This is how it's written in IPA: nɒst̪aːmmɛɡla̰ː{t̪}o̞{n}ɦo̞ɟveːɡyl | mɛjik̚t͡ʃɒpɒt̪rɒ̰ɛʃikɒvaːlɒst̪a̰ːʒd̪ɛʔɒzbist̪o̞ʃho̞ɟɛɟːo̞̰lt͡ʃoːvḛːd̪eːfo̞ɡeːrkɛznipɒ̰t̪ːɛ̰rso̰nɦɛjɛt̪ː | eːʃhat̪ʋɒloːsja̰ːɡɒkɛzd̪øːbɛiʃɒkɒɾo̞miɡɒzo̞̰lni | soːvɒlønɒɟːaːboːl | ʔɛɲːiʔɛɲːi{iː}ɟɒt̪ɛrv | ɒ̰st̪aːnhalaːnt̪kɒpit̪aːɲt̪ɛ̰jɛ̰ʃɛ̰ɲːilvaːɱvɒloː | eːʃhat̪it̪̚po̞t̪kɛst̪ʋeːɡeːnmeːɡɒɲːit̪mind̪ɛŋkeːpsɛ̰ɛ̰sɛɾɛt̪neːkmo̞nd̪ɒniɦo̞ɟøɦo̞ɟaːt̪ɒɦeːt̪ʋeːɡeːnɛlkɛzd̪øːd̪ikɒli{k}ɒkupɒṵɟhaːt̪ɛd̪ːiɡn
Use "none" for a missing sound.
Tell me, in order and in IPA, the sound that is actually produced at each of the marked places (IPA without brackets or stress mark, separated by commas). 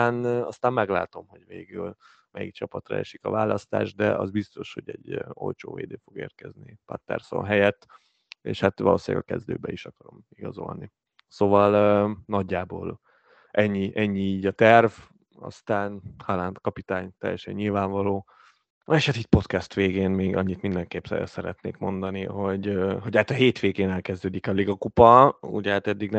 t̪, m, iː, ɡ